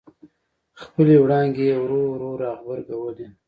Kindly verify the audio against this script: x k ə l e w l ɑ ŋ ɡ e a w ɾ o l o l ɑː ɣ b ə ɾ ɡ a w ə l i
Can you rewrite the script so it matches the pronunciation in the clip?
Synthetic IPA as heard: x p ə l e w ɽ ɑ ŋ ɡ e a w ɾ o ɾ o ɾ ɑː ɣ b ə ɾ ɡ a w ə l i

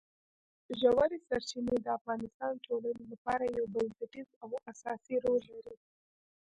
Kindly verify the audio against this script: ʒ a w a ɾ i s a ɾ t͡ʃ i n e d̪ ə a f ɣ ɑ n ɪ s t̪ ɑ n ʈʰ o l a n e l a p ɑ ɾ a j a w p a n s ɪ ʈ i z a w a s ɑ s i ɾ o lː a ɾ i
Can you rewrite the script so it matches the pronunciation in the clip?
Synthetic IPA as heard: ʒ a w a ɾ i s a ɾ t͡ʃ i n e d̪ ə a f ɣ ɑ n ɪ s t̪ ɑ n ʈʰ o l a n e l a p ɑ ɾ a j a w b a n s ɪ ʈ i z a w a s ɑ s i ɾ o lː a ɾ i

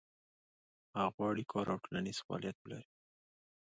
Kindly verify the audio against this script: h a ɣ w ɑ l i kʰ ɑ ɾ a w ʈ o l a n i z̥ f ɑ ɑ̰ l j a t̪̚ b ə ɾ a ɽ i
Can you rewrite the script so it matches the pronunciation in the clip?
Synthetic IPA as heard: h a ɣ w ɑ ɽ i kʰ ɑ ɾ a w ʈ o l a n i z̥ f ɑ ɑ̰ l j a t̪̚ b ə l a ɾ i

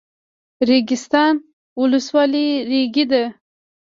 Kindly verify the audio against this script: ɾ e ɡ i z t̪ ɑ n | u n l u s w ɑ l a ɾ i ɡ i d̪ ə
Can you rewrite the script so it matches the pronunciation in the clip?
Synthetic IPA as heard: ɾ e ɡ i s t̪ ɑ n | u l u s w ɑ l i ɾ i ɡ i d̪ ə

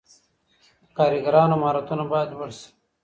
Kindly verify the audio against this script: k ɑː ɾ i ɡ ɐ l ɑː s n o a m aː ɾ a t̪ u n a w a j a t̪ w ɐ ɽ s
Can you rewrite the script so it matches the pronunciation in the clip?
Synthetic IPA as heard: k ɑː ɾ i ɡ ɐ ɾ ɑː n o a m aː ɾ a t̪ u n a b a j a d̪ w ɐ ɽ s

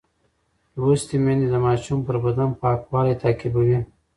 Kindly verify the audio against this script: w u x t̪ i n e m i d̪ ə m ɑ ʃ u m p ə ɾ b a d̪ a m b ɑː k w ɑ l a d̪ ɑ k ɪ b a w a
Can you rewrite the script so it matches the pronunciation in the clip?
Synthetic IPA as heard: w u s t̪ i m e n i d̪ ə m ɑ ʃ u m p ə ɾ b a d̪ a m p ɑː k w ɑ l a t̪ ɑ k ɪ b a w i

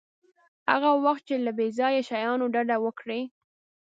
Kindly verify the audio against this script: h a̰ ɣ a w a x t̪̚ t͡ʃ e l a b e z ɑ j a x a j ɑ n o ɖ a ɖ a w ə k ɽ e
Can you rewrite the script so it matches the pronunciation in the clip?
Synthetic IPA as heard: h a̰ ɣ a w a x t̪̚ t͡ʃ e l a b e z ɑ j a ʃ a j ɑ n o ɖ a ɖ a w ə k ɽ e

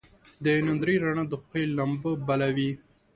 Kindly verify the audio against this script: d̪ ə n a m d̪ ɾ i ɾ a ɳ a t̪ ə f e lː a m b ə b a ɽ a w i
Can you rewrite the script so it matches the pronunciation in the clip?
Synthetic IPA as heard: d̪ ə n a n d̪ ɾ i ɾ a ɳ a d̪ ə x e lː a m b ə b a l a w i

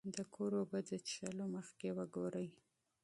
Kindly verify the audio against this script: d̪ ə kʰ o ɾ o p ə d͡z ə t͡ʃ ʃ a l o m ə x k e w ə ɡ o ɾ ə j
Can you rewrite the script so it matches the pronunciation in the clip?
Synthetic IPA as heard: d̪ ə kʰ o ɾ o b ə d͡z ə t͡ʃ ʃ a l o m ə x k e w ə ɡ o ɾ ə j

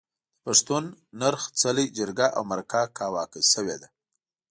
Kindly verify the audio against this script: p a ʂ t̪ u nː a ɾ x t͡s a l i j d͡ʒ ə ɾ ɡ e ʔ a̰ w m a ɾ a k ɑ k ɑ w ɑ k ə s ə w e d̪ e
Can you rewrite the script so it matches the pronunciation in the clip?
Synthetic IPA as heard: p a ʂ t̪ u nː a ɾ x t͡s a l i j d͡ʒ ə ɾ ɡ a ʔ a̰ w m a ɾ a k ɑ k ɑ w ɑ k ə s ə w e d̪ a

